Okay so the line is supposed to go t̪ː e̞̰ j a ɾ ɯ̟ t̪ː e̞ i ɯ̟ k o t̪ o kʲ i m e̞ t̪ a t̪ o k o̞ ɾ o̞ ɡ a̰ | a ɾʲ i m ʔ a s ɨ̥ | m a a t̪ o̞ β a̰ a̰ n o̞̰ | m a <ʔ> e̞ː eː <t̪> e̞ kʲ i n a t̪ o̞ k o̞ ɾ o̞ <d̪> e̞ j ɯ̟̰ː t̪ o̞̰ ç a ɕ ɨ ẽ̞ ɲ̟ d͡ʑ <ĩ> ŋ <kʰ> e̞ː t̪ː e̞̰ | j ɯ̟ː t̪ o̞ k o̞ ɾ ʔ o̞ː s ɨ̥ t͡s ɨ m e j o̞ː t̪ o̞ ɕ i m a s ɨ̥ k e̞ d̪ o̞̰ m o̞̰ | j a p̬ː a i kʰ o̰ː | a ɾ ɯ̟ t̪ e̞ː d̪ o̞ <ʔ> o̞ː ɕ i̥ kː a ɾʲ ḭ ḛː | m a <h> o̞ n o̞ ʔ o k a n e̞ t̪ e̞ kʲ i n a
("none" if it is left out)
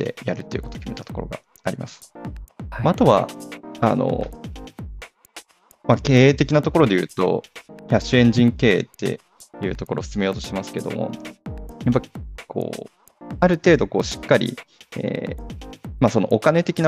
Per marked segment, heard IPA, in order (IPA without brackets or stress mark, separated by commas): k, t̪, d̪, ĩ, k, k, s